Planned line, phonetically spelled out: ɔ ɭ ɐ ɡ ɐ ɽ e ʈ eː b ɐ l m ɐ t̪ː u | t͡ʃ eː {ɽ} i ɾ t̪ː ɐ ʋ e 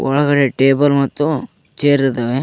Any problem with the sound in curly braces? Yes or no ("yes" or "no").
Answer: yes